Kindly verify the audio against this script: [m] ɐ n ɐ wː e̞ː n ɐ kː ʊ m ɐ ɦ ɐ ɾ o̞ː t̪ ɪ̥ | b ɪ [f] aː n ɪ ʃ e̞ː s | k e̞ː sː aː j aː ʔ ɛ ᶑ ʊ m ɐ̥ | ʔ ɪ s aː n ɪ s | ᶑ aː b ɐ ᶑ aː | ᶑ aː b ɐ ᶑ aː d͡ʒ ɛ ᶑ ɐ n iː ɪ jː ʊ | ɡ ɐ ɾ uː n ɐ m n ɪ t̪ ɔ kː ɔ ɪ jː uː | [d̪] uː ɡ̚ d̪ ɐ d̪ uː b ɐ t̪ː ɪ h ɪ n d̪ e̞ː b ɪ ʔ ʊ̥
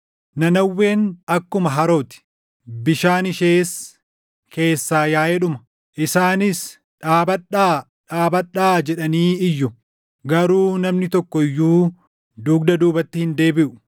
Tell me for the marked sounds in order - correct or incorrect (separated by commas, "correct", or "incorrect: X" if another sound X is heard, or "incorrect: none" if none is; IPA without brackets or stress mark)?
incorrect: n, incorrect: ʃ, correct